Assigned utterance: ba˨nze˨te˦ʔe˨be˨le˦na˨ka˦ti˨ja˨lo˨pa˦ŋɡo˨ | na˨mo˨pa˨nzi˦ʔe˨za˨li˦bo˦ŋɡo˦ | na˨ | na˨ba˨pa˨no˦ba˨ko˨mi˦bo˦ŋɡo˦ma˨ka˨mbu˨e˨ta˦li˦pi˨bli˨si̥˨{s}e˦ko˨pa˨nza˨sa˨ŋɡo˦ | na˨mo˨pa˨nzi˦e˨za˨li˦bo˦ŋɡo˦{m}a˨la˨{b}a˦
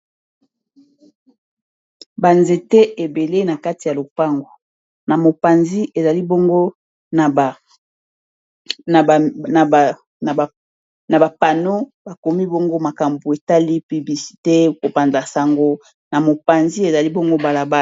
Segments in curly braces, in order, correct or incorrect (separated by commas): incorrect, incorrect, correct